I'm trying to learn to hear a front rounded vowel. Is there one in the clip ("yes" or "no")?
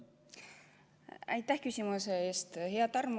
yes